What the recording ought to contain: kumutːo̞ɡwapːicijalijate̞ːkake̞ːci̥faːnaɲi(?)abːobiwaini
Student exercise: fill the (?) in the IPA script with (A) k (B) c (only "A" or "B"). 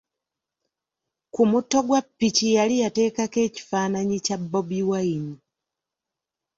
B